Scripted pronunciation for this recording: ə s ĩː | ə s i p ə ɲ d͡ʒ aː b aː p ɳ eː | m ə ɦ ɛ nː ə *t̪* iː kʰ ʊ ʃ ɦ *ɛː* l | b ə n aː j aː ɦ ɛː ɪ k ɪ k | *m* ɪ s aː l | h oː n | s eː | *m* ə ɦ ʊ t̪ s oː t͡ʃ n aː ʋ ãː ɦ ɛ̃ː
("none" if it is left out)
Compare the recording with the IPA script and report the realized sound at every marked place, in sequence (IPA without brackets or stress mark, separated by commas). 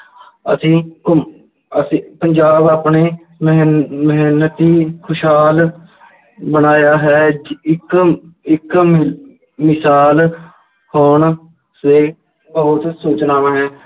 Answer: t̪, aː, m, b